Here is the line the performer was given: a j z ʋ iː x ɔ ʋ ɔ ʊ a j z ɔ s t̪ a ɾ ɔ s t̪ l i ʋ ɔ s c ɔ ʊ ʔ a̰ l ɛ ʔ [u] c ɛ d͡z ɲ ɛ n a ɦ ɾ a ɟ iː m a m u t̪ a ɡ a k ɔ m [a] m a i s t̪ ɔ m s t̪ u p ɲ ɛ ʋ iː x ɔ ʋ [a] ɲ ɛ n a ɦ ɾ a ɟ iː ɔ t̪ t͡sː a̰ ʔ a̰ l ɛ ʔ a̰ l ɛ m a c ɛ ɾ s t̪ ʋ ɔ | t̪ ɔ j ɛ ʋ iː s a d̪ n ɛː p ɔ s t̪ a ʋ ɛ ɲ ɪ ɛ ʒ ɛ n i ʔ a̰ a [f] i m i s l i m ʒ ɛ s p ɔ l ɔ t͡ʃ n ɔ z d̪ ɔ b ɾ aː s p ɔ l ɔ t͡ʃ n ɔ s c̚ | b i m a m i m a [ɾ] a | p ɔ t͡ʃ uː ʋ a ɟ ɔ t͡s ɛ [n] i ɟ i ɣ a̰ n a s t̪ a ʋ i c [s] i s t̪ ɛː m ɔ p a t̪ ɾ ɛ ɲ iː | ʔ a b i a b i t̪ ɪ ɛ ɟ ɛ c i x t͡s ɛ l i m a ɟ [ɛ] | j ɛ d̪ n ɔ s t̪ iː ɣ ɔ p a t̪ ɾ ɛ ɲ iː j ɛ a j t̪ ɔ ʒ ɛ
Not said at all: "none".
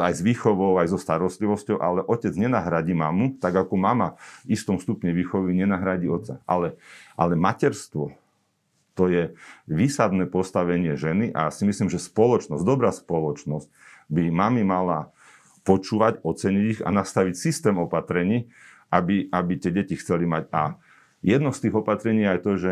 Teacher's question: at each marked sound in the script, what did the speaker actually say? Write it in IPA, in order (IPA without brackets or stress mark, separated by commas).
ɔ, a, i, s, l, ɲ, s, a